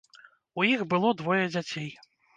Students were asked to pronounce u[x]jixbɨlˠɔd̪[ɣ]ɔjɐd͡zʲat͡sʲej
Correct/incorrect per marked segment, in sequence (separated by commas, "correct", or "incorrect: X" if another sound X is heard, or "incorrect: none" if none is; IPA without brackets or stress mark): incorrect: none, incorrect: v